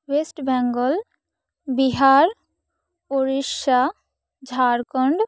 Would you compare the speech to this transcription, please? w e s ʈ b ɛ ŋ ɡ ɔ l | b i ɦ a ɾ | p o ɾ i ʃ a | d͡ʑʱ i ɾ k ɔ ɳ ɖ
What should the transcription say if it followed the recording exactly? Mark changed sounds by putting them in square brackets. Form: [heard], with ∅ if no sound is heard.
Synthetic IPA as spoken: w e s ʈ b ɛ ŋ ɡ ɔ l | b i ɦ a ɾ | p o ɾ i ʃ a | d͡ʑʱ [a] ɾ k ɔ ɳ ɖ